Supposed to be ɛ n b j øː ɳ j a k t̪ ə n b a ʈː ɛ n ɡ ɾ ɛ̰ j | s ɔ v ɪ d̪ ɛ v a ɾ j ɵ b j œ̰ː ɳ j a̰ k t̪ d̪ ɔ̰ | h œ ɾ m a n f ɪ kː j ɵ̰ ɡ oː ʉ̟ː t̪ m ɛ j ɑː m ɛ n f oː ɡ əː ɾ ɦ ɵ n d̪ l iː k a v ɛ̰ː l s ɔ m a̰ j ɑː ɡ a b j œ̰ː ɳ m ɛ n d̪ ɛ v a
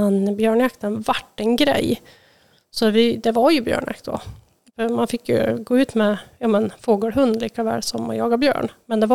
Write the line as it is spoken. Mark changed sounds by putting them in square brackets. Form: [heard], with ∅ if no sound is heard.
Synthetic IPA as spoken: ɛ n b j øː ɳ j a k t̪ ə n [v] a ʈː ɛ n ɡ ɾ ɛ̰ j | s ɔ v ɪ d̪ ɛ v a ɾ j ɵ b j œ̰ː ɳ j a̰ k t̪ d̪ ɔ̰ | [f] œ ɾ m a n f ɪ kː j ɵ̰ ɡ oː ʉ̟ː t̪ m ɛ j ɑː m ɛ n f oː ɡ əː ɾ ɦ ɵ n d̪ l iː k a v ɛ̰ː l s ɔ m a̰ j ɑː ɡ a b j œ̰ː ɳ m ɛ n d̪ ɛ v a